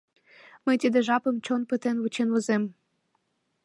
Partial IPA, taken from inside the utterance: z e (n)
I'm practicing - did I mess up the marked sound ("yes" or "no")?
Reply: yes